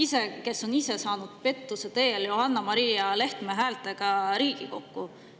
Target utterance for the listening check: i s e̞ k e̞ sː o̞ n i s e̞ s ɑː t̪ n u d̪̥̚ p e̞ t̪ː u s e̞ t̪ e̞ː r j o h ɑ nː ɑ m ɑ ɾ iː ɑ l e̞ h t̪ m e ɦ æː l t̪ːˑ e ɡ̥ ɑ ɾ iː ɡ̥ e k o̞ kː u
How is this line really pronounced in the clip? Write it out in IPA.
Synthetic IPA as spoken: i s e̞ k e̞ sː o̞ n i s e̞ s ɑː n u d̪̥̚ p e̞ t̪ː u s e̞ t̪ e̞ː l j o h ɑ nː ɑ m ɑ ɾ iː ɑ l e̞ h t̪ m e ɦ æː l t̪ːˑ e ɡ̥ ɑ ɾ iː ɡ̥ i k o̞ kː u